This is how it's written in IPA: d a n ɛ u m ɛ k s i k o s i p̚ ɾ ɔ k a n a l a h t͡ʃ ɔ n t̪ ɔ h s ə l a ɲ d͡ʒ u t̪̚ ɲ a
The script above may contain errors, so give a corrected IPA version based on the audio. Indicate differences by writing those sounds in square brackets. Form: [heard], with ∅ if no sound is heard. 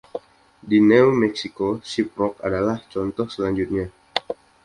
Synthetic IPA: d [i] n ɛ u m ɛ k s i k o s i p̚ ɾ ɔ k a [d] a l a h t͡ʃ ɔ n t̪ ɔ h s ə l a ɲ d͡ʒ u t̪̚ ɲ a